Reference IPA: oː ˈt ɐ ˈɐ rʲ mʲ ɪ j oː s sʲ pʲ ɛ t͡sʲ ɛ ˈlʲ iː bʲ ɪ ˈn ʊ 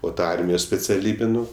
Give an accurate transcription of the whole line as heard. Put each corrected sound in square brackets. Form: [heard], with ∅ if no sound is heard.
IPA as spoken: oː ˈt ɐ ˈɐ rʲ mʲ ɪ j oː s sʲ pʲ ɛ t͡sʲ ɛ ˈlʲ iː bʲ ɪ ˈn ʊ